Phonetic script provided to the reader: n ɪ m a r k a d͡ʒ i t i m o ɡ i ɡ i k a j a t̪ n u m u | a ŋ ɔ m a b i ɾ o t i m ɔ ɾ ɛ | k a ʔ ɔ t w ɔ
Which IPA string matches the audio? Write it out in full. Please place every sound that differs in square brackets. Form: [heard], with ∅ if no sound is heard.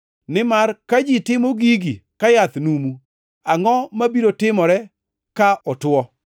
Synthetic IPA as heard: n ɪ m a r k a d͡ʒ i t [ɪ] m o ɡ i ɡ i k a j a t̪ n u m u | a ŋ ɔ m a b i ɾ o t [ɪ] m ɔ ɾ ɛ | k a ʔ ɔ t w ɔ